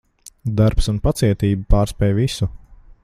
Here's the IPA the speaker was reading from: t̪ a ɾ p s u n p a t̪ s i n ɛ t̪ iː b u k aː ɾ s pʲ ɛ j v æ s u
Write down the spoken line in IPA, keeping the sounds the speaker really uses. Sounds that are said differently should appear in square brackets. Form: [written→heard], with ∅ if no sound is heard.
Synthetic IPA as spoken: [t̪→d̪] a ɾ p s u n p a t̪ s i [n→∅] ɛ t̪ iː b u [k→p] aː ɾ s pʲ ɛ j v [æ→i] s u